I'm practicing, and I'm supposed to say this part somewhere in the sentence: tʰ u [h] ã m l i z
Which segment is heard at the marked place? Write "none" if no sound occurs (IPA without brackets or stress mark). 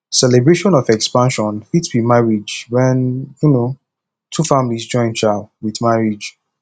f